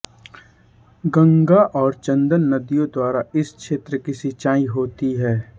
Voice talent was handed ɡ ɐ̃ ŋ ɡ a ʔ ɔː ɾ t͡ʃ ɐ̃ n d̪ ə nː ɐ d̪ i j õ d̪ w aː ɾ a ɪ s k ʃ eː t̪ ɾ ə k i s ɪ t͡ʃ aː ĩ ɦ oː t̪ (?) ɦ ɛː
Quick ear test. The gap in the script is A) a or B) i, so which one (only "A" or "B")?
B